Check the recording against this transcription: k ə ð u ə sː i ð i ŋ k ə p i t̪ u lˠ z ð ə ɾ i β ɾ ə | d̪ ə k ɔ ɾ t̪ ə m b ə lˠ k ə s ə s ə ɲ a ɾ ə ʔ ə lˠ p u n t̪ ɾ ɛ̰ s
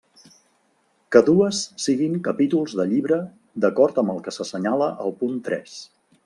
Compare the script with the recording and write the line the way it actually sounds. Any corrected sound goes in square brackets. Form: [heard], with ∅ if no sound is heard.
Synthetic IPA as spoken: k ə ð u ə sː i [ɣ] i ŋ k ə p i t̪ u lˠ z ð ə [ʎ] i β ɾ ə | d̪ ə k ɔ ɾ t̪ ə m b ə lˠ k ə s ə s ə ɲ a [l] ə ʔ ə lˠ p u n t̪ ɾ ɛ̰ s

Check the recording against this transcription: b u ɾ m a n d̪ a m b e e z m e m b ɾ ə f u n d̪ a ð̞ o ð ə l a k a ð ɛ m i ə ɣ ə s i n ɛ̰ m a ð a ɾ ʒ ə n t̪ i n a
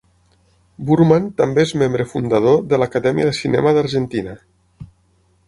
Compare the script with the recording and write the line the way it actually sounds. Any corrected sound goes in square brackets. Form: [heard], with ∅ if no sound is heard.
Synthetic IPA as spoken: b u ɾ m a n [t̪] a m b e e z m e m b ɾ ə f u n d̪ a ð̞ o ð ə l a k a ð ɛ m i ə [ð] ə s i n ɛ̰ m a ð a ɾ ʒ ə n t̪ i n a

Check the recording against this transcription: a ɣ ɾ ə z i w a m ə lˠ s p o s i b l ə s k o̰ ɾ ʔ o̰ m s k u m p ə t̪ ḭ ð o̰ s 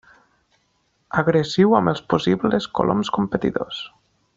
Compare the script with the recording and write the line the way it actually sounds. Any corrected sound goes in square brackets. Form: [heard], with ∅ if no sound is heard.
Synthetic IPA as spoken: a ɣ ɾ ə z i w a m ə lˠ s p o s i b l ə s k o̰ [l] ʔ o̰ m s k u m p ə t̪ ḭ ð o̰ s

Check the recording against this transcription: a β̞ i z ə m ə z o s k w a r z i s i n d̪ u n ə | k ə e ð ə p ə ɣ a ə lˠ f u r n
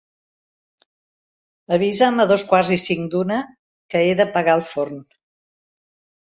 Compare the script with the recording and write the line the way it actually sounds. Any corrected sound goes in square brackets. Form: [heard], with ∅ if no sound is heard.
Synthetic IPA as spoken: [ə] β̞ i z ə m ə [ð] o s k w a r z i s i [ŋ] d̪ u n ə | k ə e ð ə p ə ɣ a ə lˠ f [o] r n

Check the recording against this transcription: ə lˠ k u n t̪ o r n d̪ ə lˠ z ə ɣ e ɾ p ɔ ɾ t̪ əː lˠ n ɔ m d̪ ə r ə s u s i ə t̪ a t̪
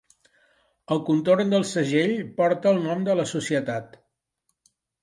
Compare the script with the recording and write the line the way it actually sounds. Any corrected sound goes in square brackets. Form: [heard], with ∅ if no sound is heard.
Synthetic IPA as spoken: ə lˠ k u n t̪ o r n d̪ ə lˠ [s] ə [ʒ] e [ʎ] p ɔ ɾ t̪ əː lˠ n ɔ m d̪ ə [l] ə s u s i ə t̪ a t̪

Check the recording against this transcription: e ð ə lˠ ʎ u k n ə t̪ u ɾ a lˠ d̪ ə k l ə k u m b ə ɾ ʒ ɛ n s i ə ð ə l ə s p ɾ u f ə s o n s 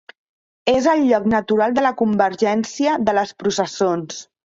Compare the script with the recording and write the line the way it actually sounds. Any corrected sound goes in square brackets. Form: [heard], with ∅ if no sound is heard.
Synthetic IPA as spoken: e [z] ə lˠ ʎ [ɔ] k n ə t̪ u ɾ a lˠ d̪ ə [∅] l ə k u m b ə ɾ ʒ ɛ n s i ə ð ə l ə s p ɾ u [s] ə s o n s

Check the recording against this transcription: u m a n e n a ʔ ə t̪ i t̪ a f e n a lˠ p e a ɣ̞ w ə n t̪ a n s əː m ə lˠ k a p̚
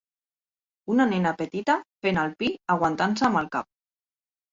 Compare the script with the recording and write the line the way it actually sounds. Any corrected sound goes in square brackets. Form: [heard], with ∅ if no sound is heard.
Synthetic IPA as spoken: u [n] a n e n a [p] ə t̪ i t̪ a f e n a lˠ p [i] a ɣ̞ w [a] n t̪ a n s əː m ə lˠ k a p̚

